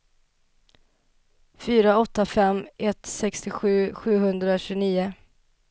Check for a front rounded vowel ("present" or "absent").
present